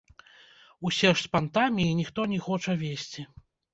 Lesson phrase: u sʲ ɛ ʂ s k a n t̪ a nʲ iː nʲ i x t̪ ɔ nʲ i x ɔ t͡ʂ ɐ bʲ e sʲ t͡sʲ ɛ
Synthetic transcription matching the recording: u sʲ ɛ ʂ s p a n t̪ a mʲ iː nʲ i x t̪ ɔ nʲ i x ɔ t͡ʂ ɐ vʲ e sʲ t͡sʲ i